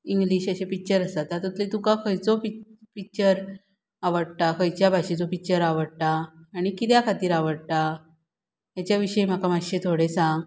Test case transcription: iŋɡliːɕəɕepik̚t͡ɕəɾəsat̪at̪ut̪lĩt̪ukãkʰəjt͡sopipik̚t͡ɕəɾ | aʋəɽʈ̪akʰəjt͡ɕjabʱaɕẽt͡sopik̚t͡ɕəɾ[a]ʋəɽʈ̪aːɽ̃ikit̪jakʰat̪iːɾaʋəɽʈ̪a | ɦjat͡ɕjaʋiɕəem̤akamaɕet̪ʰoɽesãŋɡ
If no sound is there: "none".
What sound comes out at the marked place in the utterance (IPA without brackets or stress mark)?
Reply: a